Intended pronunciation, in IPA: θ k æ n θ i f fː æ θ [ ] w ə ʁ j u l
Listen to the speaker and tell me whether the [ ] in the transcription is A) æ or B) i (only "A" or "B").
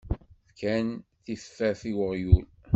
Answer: B